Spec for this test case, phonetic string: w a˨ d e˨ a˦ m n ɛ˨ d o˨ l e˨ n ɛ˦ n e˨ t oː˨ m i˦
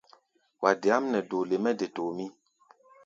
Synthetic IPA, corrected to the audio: w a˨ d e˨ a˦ m n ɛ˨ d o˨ l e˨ m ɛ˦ d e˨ t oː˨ m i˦